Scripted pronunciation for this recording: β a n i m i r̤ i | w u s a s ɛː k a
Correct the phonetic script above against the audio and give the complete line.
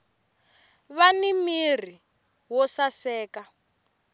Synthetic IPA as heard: β a n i m i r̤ i | w ɔ s a s ɛː k a